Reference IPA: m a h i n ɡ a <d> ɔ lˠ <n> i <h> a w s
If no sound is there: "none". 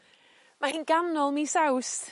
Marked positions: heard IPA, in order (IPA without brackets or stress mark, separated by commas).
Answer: n, m, s